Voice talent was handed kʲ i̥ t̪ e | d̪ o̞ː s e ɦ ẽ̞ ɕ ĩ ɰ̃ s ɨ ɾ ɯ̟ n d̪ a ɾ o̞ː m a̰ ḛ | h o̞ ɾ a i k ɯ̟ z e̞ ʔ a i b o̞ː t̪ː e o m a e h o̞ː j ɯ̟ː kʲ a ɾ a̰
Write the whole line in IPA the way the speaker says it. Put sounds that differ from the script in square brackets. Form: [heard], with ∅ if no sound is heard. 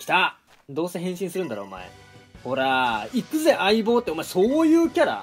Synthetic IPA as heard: kʲ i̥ t̪ [a] | d̪ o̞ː s e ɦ ẽ̞ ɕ ĩ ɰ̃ s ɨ ɾ ɯ̟ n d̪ a ɾ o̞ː m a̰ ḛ | h o̞ ɾ a i k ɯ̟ z e̞ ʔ a i b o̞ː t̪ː e o m a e [s] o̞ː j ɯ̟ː kʲ a ɾ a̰